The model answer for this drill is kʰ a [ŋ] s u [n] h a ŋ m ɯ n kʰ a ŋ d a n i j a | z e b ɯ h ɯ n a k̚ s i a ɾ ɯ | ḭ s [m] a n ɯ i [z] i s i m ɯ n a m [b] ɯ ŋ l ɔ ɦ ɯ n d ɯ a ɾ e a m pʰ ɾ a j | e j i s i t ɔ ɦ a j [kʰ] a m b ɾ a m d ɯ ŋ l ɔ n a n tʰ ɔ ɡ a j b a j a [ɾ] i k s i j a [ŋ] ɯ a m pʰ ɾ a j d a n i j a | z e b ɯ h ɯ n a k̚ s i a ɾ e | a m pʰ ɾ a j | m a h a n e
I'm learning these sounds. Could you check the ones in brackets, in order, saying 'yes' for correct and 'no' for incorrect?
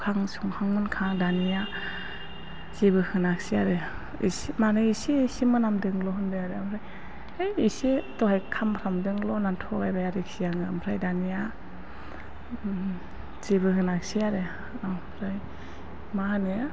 yes, no, yes, no, no, yes, yes, yes

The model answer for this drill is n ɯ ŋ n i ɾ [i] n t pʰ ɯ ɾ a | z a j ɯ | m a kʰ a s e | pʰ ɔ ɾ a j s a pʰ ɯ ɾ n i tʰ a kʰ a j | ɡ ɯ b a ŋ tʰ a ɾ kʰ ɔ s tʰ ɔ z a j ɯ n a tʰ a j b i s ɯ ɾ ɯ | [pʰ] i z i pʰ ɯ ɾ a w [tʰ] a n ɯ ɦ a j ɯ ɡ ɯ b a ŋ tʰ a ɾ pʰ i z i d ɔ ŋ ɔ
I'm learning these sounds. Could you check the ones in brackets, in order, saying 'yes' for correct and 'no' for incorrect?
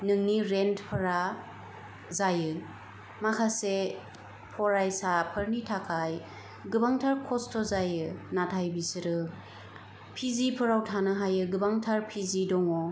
no, yes, yes

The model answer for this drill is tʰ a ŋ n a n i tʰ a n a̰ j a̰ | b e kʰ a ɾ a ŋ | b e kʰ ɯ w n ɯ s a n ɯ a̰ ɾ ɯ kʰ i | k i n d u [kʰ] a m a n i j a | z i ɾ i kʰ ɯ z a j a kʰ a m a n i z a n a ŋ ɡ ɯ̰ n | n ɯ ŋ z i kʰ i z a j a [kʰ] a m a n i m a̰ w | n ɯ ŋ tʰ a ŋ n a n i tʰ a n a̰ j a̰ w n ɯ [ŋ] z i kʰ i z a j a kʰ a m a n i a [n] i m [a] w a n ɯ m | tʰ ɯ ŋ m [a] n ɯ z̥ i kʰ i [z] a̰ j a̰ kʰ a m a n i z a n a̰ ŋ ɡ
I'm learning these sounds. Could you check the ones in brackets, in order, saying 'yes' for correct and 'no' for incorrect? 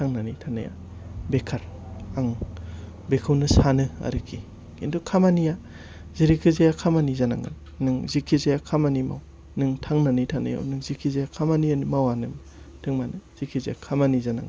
yes, yes, yes, yes, yes, yes, yes

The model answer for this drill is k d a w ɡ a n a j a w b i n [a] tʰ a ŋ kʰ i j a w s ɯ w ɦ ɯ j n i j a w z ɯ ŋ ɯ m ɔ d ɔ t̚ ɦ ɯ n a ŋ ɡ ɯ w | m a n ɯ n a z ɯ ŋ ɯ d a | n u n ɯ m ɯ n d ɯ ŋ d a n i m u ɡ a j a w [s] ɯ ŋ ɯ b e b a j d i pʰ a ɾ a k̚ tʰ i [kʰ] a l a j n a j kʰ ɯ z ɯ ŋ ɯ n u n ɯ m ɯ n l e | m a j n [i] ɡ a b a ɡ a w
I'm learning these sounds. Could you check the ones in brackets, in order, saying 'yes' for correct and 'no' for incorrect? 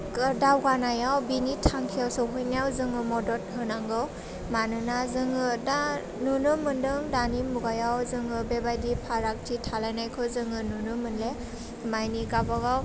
no, no, no, yes

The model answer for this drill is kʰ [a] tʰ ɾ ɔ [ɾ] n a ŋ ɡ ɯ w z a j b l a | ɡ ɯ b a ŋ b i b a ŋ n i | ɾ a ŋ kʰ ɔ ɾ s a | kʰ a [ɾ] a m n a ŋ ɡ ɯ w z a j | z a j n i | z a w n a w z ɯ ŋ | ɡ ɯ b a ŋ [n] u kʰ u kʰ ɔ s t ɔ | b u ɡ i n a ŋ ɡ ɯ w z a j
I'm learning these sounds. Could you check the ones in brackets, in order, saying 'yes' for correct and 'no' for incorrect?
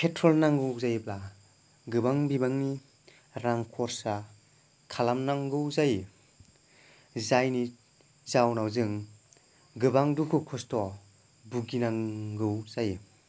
no, no, no, no

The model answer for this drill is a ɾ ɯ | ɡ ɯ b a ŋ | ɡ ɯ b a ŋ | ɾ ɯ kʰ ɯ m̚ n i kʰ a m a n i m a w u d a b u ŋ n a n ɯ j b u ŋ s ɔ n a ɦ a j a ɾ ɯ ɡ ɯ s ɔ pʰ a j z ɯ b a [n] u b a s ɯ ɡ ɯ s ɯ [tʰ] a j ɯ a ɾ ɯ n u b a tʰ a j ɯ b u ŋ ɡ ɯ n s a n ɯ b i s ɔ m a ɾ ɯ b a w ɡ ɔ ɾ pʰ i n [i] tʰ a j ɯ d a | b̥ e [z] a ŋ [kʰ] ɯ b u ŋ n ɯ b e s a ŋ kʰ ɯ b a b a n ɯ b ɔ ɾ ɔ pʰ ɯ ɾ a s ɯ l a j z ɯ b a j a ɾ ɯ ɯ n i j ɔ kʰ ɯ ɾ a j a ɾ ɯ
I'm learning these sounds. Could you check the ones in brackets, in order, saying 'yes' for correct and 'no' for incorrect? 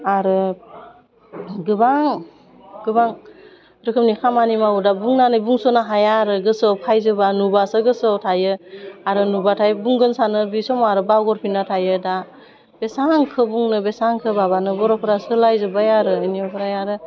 yes, yes, no, no, yes

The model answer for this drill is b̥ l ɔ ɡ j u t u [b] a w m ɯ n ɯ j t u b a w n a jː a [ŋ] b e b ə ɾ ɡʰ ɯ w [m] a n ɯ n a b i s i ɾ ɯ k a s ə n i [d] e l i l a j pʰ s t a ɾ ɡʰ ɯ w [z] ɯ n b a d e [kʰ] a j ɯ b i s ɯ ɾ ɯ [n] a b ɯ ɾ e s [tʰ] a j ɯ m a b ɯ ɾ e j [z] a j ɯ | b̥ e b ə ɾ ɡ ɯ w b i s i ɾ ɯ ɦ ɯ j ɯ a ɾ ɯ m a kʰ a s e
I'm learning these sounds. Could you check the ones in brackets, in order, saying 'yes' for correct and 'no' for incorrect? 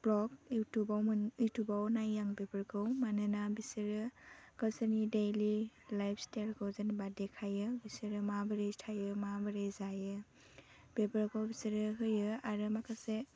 yes, yes, yes, yes, yes, yes, no, yes, yes

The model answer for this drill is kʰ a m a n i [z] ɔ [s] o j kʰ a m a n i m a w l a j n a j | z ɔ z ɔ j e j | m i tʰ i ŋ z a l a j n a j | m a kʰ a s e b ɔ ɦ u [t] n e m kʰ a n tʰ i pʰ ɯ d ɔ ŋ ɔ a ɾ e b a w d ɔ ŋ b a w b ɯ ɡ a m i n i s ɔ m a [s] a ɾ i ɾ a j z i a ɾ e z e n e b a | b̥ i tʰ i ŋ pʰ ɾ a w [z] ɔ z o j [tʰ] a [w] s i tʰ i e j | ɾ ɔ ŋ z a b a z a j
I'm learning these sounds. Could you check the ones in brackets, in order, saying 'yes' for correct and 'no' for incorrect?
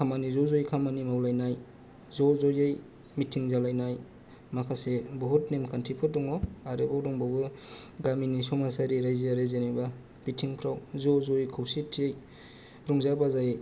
yes, no, yes, yes, yes, no, yes

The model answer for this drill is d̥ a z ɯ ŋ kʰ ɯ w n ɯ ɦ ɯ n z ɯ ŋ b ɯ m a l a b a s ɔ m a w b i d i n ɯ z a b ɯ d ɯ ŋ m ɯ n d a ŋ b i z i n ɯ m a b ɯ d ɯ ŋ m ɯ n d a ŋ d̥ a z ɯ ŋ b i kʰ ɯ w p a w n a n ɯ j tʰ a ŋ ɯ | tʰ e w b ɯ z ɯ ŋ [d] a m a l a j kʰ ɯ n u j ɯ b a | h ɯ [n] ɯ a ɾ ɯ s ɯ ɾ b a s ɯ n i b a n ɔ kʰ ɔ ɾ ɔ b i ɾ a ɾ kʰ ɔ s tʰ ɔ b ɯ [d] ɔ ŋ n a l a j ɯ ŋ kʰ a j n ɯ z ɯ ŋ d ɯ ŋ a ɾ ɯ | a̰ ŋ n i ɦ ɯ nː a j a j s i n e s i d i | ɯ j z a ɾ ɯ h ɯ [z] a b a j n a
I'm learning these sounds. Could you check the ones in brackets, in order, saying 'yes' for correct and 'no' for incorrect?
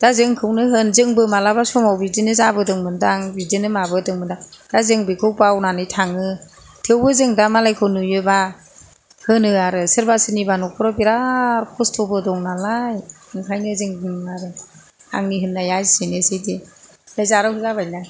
yes, yes, yes, yes

